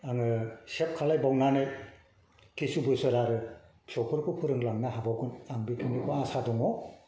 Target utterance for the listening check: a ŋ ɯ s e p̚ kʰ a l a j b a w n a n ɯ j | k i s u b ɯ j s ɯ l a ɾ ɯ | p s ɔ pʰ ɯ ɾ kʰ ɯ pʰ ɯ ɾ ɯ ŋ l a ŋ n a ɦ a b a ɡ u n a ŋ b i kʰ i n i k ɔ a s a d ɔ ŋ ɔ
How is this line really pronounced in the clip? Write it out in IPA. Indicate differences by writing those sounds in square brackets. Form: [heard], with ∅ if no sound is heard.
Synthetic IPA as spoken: a ŋ ɯ s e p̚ kʰ a l a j b a w n a n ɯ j | k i s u b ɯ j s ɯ [ɾ] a ɾ ɯ | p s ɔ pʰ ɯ ɾ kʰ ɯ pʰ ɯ ɾ ɯ ŋ l a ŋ n a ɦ a b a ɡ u n a ŋ b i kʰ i n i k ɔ a s a d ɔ ŋ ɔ